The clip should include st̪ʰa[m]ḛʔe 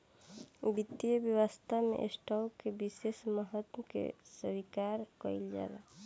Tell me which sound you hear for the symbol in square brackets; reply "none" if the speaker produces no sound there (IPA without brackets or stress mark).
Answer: m